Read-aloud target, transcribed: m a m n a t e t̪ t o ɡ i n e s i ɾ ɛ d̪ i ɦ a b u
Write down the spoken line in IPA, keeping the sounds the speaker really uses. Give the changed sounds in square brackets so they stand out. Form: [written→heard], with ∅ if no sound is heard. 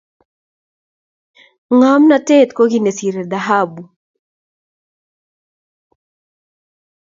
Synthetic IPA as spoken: [m→ŋ] a m n a t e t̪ [t→k] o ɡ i n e s i ɾ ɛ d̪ [i→a] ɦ a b u